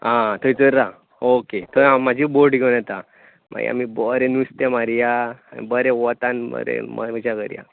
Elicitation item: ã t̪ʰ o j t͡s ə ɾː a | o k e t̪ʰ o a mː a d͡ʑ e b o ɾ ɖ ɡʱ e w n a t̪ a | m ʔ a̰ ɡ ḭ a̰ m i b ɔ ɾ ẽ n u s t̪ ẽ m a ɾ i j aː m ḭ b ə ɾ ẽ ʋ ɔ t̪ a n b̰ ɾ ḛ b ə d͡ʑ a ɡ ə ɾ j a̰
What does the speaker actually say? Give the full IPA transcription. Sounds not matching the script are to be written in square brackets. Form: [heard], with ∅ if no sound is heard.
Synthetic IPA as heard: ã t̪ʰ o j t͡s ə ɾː a | o k e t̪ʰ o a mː a d͡ʑ [i] b o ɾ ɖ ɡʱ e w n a t̪ a | m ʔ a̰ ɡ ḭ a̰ m i b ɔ ɾ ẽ n u s t̪ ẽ m a ɾ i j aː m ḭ b ə ɾ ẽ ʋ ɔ t̪ a n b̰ ɾ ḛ [m] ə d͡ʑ a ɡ ə ɾ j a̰